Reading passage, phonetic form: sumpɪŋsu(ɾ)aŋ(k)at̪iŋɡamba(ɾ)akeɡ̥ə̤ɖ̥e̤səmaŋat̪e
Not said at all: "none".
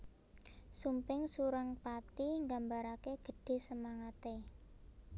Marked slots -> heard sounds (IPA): ɾ, p, ɾ

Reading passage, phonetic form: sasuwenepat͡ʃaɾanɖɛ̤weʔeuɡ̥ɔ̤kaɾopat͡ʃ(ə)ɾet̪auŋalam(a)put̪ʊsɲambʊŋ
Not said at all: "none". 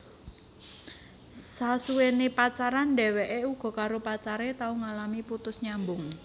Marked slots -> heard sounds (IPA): a, i

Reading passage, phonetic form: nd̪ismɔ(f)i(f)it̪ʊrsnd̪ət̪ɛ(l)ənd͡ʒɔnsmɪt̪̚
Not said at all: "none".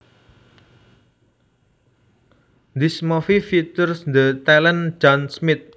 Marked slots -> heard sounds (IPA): f, f, l

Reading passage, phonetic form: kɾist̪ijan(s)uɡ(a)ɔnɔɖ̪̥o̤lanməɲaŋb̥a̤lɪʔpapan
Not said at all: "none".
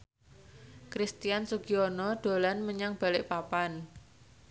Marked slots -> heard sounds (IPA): s, i

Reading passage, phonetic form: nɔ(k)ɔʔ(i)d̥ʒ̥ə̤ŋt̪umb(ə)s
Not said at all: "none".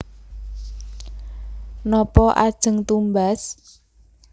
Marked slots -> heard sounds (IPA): p, a, a

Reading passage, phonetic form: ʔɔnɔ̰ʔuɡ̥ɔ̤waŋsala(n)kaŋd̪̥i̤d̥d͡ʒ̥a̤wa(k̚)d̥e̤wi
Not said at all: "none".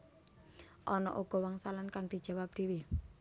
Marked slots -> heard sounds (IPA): n, p̚

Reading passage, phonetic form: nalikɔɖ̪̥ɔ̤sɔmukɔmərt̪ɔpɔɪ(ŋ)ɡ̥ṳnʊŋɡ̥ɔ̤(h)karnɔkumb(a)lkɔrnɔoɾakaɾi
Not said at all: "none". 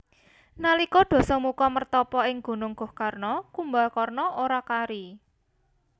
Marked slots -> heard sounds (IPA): ŋ, h, a

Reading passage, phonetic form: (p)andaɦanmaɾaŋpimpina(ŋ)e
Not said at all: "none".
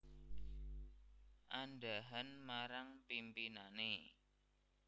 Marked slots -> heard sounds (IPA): ʔ, n

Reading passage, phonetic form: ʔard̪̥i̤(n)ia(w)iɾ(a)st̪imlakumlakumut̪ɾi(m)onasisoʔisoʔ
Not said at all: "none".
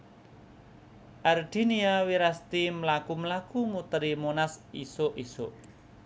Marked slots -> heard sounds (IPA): n, w, a, m

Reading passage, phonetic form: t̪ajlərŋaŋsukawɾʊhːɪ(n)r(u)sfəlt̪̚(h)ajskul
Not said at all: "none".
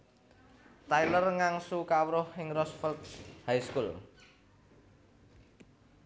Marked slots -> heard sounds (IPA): ŋ, ɔ, h

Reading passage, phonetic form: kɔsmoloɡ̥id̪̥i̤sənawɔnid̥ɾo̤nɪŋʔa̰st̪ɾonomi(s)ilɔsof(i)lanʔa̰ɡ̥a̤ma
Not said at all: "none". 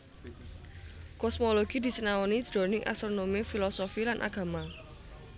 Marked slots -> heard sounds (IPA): f, i

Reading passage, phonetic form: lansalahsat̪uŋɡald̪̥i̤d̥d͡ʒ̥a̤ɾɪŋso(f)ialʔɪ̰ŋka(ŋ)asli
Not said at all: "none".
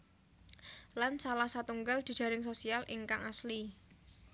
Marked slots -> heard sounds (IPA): s, ŋ

